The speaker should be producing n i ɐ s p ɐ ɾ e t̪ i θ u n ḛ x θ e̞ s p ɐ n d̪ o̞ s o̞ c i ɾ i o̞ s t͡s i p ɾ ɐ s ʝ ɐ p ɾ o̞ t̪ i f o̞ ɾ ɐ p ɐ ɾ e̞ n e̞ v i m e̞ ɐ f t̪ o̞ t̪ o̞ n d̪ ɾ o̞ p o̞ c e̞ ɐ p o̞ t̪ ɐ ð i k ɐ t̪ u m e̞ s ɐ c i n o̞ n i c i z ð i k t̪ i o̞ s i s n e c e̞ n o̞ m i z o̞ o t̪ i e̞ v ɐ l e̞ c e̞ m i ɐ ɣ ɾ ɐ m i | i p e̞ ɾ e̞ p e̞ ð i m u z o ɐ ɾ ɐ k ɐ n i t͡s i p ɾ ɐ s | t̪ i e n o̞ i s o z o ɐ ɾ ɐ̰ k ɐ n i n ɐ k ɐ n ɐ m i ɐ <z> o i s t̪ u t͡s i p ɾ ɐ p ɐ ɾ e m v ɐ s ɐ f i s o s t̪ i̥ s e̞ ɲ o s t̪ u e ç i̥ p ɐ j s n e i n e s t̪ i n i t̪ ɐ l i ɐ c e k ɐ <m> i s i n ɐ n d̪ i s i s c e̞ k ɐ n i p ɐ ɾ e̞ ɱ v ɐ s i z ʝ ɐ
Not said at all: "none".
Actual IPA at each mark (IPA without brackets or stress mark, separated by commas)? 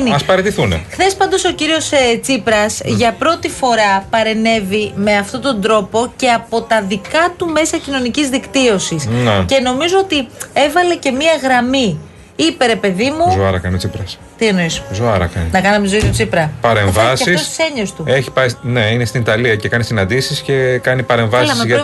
z, n